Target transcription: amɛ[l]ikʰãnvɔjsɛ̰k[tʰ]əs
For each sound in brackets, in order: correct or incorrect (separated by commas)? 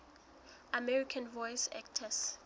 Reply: incorrect, correct